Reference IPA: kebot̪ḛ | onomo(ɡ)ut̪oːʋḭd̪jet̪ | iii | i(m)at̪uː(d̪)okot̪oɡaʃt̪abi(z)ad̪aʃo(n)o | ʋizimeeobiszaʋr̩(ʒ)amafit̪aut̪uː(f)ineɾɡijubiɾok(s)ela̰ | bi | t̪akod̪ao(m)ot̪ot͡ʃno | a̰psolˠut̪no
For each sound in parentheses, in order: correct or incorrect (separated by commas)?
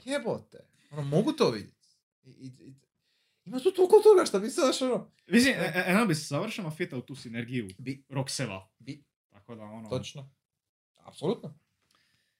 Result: correct, correct, incorrect, incorrect, correct, incorrect, incorrect, correct, incorrect